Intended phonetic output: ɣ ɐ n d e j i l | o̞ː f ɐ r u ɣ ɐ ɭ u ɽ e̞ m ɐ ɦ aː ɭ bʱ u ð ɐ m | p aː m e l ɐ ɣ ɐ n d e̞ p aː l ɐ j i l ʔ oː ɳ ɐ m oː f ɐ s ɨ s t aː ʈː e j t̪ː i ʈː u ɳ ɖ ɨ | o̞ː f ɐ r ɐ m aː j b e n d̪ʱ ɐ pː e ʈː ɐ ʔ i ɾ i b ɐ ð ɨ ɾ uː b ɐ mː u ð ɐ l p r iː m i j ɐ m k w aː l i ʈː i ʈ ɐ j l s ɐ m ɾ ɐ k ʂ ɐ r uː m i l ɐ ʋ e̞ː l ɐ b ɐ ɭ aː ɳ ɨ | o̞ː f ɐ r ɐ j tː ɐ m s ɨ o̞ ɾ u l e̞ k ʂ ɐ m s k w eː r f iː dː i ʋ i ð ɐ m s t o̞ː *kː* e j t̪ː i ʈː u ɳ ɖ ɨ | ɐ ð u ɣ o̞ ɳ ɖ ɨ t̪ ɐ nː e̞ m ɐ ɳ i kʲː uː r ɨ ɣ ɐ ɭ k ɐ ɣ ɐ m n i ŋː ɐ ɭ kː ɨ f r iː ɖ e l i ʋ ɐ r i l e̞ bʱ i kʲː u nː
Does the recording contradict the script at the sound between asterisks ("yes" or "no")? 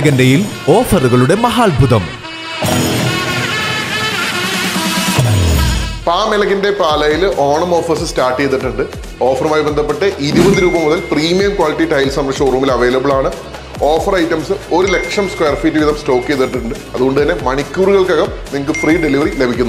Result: no